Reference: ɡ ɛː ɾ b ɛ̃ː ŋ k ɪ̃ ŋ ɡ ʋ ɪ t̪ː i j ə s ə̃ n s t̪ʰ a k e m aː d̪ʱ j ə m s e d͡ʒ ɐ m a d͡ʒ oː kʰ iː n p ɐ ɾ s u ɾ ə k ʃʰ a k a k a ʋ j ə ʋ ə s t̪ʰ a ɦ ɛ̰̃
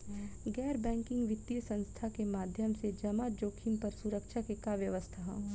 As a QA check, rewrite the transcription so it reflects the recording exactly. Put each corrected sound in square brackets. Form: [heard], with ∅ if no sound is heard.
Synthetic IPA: ɡ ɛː ɾ b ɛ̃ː ŋ k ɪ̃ ŋ ɡ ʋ ɪ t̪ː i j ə s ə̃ n s t̪ʰ a k e m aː d̪ʱ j ə m s e d͡ʒ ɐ m a d͡ʒ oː kʰ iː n p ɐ ɾ s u ɾ ə k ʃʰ a k [e] k a ʋ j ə ʋ ə s t̪ʰ a ɦ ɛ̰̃